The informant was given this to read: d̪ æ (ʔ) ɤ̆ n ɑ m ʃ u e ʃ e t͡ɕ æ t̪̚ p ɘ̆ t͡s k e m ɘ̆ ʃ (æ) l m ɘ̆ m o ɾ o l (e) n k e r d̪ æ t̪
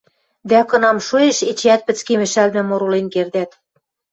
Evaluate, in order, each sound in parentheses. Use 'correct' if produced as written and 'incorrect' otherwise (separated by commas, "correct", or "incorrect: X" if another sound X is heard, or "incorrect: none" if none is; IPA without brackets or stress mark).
incorrect: k, correct, correct